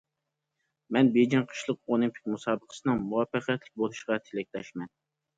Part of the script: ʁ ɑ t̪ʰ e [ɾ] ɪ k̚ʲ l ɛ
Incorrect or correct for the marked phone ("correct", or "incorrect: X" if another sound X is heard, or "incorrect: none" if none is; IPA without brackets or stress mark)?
incorrect: l